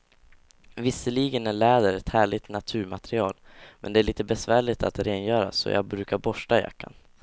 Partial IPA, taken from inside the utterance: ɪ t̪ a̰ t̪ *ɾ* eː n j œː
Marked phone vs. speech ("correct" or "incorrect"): correct